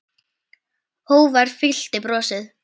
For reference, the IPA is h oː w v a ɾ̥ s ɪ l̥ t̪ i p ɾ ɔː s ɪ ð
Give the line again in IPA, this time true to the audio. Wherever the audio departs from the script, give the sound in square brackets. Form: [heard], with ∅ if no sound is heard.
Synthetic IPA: h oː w v a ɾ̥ [f] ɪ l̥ t̪ [ɪ] p ɾ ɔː s ɪ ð